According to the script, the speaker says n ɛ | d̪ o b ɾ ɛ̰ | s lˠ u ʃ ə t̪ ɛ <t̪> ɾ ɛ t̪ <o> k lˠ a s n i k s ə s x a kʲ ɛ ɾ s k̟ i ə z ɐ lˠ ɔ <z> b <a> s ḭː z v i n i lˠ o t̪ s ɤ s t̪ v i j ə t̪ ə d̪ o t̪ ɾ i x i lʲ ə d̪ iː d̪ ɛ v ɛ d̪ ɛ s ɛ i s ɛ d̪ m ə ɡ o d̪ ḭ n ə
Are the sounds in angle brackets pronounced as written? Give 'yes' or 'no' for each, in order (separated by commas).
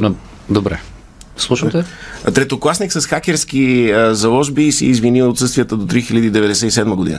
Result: yes, yes, no, no